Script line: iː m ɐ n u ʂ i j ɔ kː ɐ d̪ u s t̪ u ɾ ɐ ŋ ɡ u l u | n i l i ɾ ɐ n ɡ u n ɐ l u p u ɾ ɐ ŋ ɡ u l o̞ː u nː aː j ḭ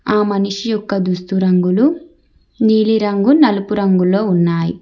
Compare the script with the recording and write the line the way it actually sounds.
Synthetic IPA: aː m ɐ n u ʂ i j ɔ kː ɐ d̪ u s t̪ u ɾ ɐ ŋ ɡ u l u | n iː l i ɾ ɐ ŋ ɡ u n ɐ l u p u ɾ ɐ ŋ ɡ u l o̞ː u nː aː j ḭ